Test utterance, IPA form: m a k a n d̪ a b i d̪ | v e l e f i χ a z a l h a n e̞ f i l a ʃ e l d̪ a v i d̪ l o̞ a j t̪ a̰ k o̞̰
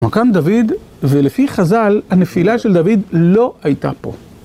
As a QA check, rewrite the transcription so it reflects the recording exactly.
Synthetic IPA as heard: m a k a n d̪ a v i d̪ | v e l e f i χ a z a l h a n e̞ f i l a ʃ e l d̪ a v i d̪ l o̞ a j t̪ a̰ p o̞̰